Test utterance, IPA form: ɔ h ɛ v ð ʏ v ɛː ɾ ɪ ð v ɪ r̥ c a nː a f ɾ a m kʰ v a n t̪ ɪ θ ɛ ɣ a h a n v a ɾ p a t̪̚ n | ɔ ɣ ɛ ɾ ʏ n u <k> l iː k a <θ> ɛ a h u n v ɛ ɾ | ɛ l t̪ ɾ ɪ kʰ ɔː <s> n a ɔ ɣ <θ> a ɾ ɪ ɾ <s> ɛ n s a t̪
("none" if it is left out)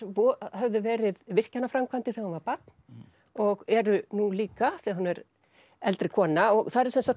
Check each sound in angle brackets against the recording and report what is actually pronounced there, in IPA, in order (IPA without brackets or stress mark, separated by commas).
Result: none, θ, none, θ, s